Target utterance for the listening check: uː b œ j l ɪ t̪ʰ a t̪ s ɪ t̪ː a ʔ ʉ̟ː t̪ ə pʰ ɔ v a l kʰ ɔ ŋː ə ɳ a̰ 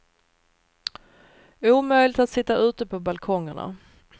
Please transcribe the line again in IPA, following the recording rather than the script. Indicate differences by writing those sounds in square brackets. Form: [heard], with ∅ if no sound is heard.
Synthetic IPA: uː [m] œ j l ɪ [t̪] a t̪ s ɪ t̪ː a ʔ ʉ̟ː t̪ ə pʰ ɔ [b] a l kʰ ɔ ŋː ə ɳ a̰